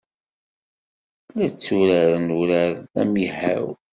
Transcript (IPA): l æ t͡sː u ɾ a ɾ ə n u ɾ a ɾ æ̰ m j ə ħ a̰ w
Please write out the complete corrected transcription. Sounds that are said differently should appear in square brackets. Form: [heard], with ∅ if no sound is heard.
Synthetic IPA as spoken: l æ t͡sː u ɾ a ɾ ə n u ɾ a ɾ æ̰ m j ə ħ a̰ w

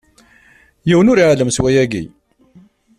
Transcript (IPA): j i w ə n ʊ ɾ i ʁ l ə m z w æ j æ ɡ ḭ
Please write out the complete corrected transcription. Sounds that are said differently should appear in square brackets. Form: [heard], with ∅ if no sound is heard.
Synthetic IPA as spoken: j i w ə n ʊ ɾ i [ʕ] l ə m [s] w æ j æ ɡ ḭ

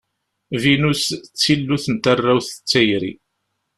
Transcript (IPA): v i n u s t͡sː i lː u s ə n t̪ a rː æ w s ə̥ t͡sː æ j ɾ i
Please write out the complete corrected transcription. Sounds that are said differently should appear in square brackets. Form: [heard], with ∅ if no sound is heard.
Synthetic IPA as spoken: v i n u s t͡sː i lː u [θ] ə n t̪ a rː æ w [θ] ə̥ t͡sː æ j ɾ i

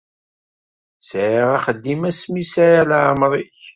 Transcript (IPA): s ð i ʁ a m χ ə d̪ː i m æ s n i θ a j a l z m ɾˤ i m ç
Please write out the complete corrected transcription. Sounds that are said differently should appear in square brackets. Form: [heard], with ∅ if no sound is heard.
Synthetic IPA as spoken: s [ʕ] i ʁ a [∅] χ ə d̪ː i m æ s [m] i [s] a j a l [ʕ] m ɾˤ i [∅] ç

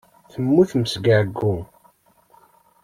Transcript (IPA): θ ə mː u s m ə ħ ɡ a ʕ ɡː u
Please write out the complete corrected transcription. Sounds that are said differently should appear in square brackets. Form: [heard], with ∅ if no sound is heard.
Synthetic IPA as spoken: θ ə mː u [θ] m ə [s] ɡ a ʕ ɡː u

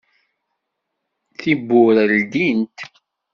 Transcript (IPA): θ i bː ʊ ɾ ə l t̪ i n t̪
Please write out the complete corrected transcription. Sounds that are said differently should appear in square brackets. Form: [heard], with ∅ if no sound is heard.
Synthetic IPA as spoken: θ i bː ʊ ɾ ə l [d̪] i n t̪

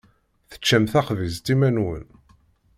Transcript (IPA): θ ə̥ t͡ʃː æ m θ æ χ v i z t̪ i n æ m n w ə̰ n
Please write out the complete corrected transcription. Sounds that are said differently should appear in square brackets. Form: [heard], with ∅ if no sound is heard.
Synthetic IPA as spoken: θ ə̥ t͡ʃː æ m θ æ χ v i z t̪ i [m] æ [∅] n w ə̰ n

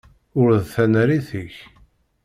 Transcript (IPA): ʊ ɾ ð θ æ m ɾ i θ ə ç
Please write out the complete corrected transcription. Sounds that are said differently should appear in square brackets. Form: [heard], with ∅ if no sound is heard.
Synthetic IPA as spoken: ʊ ɾ ð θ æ [n] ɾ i θ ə ç

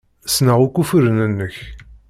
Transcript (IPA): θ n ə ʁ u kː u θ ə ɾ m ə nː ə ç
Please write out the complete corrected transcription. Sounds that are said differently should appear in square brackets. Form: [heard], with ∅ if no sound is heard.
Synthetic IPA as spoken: [s] n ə ʁ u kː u [f] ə ɾ [n] ə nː ə ç

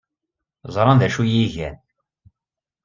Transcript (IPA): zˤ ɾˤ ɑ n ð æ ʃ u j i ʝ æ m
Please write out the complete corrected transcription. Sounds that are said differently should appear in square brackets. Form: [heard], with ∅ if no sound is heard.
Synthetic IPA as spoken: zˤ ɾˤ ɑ n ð æ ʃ u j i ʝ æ [n]

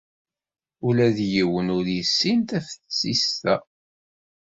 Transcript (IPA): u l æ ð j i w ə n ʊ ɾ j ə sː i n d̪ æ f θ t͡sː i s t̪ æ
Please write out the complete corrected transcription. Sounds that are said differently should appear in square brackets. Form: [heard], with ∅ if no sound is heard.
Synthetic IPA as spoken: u l æ ð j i w ə n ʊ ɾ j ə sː i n [t̪] æ f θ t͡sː i s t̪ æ

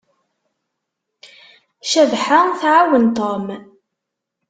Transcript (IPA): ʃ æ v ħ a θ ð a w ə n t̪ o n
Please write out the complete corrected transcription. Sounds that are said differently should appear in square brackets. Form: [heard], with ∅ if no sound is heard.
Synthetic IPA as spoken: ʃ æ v ħ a θ [ʕ] a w ə n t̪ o [m]

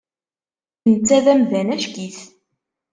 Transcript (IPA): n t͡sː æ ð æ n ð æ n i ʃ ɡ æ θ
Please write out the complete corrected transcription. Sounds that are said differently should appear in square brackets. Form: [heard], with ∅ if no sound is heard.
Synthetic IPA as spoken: n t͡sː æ ð æ [m] ð æ n [æ] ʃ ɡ [i] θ

